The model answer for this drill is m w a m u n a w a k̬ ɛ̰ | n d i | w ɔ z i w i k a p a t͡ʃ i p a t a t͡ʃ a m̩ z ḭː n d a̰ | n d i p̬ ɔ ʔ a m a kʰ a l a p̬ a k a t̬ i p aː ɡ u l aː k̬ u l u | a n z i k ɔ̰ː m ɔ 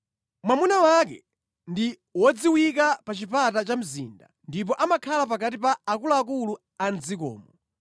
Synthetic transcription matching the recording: m w a m u n a w a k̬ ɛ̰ | n d i | w ɔ d͡z i w i k a p a t͡ʃ i p a t a t͡ʃ a m̩ z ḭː n d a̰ | n d i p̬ ɔ ʔ a m a kʰ a l a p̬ a k a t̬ i p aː k u l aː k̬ u l u | a n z i k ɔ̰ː m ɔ